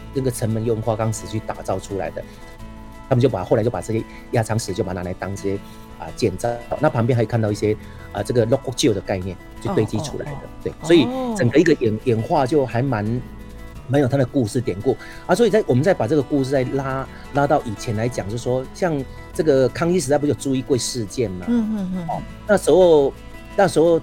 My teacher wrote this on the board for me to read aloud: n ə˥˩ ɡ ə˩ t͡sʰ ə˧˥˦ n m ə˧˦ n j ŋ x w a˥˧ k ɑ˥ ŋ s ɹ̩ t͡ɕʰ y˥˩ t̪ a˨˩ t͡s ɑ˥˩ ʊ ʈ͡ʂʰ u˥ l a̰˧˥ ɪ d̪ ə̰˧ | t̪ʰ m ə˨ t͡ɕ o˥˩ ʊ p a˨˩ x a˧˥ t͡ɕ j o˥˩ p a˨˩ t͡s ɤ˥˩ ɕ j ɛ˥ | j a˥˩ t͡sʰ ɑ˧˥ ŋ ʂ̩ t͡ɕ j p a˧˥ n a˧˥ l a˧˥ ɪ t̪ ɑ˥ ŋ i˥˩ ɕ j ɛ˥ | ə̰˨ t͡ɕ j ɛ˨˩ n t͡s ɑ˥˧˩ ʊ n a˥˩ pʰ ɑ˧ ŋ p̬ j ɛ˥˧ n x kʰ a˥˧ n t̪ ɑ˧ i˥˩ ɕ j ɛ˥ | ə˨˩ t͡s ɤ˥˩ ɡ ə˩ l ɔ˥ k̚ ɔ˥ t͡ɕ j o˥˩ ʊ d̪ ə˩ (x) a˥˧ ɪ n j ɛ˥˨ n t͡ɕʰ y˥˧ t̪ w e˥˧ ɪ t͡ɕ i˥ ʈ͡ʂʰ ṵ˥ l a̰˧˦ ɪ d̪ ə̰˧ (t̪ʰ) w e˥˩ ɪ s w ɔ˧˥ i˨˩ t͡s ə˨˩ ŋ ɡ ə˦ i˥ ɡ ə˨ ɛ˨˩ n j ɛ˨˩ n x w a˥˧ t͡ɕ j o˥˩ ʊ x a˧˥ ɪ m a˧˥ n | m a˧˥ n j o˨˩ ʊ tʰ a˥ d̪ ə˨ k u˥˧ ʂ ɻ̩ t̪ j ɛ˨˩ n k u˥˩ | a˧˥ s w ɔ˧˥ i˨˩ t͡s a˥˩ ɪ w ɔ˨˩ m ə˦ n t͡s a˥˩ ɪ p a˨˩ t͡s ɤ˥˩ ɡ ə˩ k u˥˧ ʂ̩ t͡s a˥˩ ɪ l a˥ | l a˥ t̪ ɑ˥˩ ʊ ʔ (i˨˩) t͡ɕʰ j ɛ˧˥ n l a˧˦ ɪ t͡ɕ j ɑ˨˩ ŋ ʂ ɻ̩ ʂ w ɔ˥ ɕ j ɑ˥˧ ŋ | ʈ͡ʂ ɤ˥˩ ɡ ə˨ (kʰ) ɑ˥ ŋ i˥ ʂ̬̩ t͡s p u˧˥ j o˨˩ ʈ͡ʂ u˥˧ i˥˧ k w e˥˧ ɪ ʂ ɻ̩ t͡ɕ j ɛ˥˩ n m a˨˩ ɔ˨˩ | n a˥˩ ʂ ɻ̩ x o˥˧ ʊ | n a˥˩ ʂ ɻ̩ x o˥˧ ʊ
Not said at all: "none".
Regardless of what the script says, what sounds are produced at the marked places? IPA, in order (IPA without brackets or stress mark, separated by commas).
k, t̪, i˨˩, kʰ